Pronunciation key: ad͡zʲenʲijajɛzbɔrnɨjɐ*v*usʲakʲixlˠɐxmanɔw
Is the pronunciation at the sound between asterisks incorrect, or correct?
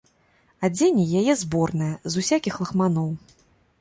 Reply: incorrect